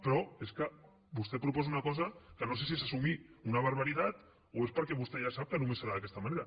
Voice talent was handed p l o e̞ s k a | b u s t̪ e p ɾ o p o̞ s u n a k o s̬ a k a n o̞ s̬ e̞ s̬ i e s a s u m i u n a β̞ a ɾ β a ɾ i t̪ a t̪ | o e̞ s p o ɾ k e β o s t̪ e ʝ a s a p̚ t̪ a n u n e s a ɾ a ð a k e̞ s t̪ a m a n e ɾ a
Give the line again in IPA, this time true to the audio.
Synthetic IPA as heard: p ɾ o e̞ s k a | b u s t̪ e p ɾ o p o̞ s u n a k o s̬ a k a n o̞ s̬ e̞ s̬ i e s a s u m i u n a β̞ a ɾ β a ɾ i t̪ a t̪ | o e̞ s p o ɾ k e β u s t̪ e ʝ a s a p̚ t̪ a n u m e s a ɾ a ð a k e̞ s t̪ a m a n e ɾ a